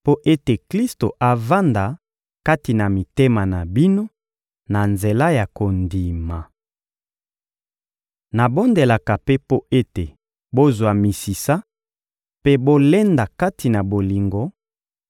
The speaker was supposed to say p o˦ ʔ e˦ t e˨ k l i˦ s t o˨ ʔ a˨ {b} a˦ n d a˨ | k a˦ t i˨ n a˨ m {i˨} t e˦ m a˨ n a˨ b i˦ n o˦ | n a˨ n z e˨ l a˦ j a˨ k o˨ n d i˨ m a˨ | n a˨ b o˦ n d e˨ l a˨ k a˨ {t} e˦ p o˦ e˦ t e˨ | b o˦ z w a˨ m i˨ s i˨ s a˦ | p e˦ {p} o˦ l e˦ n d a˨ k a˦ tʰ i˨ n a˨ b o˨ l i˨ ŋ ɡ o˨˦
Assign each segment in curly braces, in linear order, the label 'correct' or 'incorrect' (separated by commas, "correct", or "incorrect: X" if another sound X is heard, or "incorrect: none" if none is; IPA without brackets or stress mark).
incorrect: v, correct, incorrect: p, incorrect: b